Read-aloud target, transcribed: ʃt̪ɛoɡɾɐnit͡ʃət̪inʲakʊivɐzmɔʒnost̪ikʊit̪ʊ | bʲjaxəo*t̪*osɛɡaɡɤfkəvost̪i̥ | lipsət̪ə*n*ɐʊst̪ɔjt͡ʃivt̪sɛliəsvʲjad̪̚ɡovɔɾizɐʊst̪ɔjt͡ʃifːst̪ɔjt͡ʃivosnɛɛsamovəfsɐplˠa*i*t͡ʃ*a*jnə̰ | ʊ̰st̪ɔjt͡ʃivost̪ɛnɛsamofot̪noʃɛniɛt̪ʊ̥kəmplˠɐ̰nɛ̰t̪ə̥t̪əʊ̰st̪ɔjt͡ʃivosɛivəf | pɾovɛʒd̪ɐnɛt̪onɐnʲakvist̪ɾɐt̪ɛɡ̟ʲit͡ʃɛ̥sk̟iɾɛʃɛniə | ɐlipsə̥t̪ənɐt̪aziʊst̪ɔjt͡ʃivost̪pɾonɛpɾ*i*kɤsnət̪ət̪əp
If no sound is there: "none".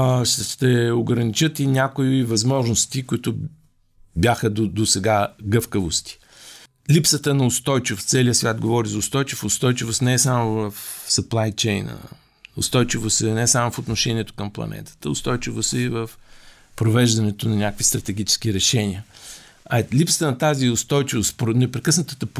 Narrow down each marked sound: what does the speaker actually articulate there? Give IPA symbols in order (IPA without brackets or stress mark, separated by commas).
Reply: d̪, n, j, ɛ, ɛ